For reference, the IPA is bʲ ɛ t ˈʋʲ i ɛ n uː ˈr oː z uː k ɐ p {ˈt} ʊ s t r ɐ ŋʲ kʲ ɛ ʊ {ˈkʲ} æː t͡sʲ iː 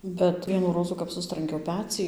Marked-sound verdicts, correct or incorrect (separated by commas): incorrect, incorrect